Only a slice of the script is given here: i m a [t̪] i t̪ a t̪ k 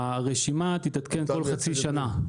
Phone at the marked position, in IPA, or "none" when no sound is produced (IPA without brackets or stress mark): t̪